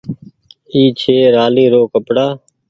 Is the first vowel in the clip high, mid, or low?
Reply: high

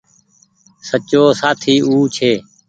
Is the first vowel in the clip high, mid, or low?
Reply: mid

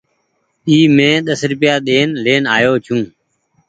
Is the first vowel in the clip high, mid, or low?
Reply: high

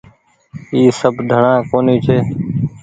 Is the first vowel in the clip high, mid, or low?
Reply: high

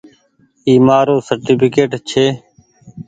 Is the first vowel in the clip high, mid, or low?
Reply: high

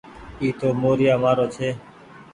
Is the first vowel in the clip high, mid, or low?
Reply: high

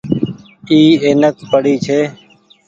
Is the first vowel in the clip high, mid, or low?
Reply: high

